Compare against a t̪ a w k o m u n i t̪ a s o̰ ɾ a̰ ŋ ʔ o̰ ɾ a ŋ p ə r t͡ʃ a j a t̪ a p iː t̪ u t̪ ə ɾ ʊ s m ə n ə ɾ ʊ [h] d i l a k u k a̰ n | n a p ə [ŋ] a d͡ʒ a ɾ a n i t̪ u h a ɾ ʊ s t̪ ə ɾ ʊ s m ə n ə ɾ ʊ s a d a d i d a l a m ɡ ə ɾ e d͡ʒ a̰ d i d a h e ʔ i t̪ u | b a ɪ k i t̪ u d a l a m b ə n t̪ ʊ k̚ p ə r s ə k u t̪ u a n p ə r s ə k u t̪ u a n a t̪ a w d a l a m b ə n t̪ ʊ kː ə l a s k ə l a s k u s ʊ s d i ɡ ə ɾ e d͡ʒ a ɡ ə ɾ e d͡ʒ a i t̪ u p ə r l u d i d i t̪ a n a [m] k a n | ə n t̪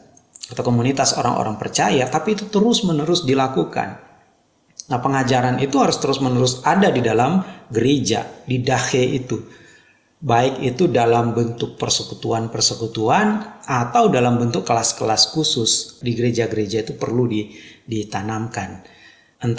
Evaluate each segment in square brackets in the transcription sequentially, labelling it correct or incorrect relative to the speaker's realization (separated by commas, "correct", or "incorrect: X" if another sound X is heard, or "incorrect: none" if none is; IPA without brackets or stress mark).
incorrect: s, correct, correct